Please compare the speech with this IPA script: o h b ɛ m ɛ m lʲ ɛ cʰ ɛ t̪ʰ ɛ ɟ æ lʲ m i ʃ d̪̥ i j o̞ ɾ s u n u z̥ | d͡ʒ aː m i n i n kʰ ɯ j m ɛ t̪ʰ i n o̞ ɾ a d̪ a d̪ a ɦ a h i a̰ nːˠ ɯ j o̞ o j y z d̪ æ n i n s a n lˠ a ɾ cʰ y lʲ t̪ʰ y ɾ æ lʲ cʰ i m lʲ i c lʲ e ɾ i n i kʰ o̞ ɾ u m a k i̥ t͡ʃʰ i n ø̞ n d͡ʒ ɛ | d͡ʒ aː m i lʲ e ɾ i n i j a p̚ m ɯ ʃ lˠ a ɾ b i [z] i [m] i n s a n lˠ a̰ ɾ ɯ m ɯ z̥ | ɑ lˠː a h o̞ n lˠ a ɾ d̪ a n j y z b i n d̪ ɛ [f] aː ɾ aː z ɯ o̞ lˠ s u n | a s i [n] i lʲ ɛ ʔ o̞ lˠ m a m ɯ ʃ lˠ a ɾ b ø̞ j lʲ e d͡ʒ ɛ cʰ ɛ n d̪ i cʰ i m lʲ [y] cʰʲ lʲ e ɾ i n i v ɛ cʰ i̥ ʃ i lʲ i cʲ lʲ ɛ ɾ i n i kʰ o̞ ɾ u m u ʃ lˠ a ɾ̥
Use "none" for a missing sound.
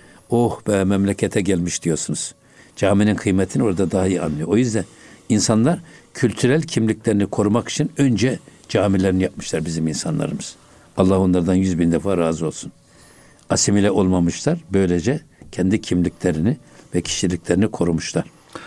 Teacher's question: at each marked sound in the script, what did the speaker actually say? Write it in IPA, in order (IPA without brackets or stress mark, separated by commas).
z, m, f, m, i